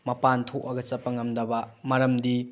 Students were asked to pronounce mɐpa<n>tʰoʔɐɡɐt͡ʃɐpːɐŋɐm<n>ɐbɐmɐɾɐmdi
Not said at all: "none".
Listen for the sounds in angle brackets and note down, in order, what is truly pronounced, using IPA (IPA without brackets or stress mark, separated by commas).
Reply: n, d